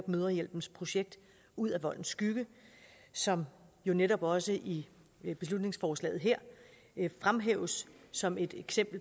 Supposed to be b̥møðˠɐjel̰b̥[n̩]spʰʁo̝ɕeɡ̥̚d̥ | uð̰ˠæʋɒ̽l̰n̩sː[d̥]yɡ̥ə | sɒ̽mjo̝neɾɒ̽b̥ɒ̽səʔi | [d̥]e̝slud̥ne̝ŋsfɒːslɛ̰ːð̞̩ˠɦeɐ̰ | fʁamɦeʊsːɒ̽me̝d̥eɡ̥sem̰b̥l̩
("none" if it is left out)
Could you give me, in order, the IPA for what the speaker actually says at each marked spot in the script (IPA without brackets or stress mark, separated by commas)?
n̩, ɡ̥, b̥